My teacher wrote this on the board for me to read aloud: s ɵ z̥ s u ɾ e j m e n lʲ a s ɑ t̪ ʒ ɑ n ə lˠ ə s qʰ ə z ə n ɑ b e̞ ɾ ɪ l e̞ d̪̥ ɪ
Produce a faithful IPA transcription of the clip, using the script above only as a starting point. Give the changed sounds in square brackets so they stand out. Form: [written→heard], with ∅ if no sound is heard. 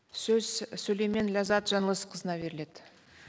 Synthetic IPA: s ɵ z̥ s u [ɾ→l] e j m e n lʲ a [s→z] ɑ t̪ ʒ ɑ n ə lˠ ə s qʰ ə z ə n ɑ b e̞ ɾ ɪ l e̞ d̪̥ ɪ